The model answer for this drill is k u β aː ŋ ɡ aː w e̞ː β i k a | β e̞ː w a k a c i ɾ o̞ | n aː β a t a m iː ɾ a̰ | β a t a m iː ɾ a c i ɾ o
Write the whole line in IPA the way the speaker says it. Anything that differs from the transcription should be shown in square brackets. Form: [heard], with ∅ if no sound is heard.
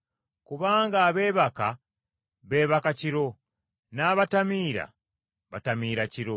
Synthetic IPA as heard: k u β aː ŋ ɡ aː [β] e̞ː β [a] k a | β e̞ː [β] a k a c i ɾ o̞ | n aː β a t a m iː ɾ a̰ | β a t a m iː ɾ a c i ɾ o